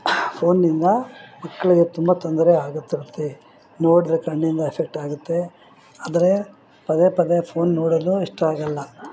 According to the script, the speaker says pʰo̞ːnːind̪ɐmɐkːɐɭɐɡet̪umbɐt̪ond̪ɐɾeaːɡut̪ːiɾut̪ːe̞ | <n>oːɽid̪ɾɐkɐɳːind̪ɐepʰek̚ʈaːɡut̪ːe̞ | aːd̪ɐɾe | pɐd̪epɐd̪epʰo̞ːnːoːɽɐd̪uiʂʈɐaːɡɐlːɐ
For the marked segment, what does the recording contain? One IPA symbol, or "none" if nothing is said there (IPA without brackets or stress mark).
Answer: n